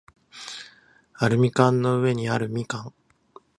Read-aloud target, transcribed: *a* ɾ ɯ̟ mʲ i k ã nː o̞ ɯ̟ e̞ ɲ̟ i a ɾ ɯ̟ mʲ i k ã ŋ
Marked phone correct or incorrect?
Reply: correct